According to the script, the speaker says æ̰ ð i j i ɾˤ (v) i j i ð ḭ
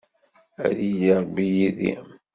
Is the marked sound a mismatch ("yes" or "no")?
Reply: yes